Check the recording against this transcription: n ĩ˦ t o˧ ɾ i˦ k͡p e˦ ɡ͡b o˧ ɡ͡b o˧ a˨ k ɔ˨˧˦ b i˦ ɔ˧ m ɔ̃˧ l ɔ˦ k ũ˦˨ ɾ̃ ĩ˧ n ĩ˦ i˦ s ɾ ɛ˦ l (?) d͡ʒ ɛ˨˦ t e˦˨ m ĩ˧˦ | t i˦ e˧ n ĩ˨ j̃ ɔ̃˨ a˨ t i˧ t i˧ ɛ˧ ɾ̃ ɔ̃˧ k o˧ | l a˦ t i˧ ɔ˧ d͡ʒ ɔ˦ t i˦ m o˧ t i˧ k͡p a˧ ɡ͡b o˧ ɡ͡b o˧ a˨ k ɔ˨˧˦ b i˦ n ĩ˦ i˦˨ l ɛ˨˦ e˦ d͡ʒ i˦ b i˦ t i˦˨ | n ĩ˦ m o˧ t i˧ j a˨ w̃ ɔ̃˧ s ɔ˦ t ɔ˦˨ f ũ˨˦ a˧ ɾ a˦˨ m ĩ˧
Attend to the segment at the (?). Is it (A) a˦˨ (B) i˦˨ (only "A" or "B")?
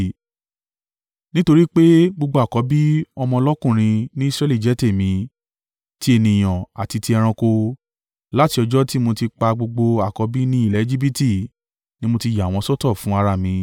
B